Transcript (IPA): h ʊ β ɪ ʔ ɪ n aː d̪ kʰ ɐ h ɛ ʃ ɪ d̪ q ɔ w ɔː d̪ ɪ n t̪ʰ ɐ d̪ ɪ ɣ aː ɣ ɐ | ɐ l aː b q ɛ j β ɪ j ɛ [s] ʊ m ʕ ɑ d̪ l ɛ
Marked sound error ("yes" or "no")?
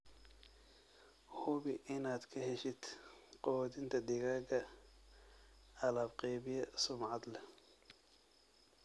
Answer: no